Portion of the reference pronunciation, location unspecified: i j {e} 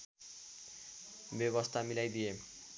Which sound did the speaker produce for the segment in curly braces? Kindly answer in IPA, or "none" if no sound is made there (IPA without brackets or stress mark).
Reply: e